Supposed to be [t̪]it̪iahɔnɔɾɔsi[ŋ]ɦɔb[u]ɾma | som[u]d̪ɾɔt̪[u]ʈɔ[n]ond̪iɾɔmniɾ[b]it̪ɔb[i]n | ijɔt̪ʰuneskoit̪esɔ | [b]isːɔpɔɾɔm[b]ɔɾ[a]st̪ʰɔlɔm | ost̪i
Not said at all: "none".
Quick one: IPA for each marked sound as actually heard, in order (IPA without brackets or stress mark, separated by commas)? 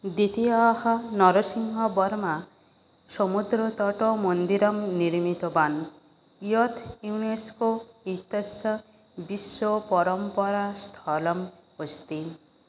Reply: d̪, ŋ, ɔ, u, ɔ, m, m, a, b, p, a